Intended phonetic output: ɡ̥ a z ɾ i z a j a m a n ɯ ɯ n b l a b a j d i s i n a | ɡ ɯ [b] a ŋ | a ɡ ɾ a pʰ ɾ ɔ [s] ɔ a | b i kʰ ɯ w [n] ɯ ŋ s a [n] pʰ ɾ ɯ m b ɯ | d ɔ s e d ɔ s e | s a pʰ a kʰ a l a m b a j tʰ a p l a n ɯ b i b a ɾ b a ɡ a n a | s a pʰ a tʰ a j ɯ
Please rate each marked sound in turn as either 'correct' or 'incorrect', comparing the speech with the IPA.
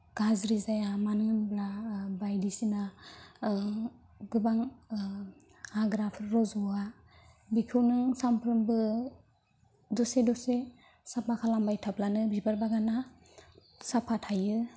correct, incorrect, correct, incorrect

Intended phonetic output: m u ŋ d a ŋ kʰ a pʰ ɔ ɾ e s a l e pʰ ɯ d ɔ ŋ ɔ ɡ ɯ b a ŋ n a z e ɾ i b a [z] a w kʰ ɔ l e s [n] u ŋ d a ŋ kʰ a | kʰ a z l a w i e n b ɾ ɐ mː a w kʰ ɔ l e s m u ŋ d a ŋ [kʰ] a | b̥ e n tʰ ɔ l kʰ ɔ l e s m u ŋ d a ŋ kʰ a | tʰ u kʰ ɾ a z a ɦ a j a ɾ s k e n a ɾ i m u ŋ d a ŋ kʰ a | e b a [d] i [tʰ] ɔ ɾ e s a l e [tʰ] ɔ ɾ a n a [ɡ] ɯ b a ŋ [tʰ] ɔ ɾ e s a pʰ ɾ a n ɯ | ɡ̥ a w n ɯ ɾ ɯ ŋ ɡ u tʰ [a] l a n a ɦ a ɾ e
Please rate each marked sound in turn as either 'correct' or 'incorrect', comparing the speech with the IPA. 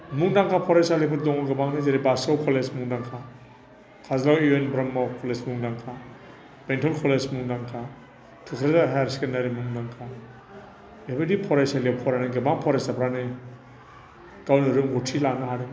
incorrect, incorrect, correct, correct, incorrect, incorrect, correct, incorrect, incorrect

